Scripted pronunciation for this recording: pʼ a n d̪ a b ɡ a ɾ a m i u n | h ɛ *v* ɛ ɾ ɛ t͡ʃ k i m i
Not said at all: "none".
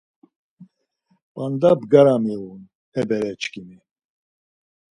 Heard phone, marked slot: b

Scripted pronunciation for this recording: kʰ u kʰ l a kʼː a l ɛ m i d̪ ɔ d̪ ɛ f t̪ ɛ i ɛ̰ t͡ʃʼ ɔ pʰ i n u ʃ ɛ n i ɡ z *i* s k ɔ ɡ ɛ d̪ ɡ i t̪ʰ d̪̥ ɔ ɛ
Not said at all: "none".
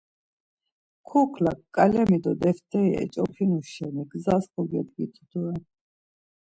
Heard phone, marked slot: a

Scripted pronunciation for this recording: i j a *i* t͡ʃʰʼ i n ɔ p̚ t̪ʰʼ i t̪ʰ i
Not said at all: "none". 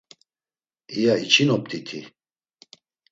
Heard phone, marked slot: i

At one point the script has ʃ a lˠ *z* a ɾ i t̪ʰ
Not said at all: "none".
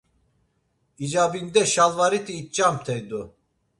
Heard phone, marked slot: v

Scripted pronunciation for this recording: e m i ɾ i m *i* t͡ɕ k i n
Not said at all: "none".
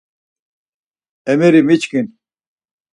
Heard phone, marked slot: i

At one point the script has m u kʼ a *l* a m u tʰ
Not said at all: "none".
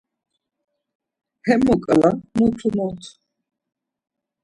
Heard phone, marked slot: l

